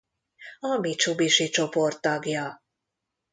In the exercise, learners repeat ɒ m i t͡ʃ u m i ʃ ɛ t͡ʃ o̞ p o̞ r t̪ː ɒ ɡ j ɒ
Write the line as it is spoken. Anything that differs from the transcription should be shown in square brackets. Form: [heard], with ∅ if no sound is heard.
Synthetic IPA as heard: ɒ m i t͡ʃ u [b] i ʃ [i] t͡ʃ o̞ p o̞ r t̪ː ɒ ɡ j ɒ